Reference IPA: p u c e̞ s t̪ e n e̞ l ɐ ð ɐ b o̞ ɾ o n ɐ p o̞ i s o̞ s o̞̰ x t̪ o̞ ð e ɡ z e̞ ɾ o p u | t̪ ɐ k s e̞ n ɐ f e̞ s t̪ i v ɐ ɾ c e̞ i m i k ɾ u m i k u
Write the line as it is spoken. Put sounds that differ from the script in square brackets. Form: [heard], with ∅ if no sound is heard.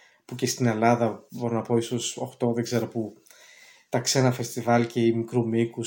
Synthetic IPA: p u c e̞ s t̪ [i] n e̞ l ɐ ð ɐ b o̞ ɾ o n ɐ p o̞ i s o̞ s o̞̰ x t̪ o̞ ð e ɡ z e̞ ɾ o p u | t̪ ɐ k s e̞ n ɐ f e̞ s t̪ i v ɐ [l] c e̞ i m i k ɾ u m i k u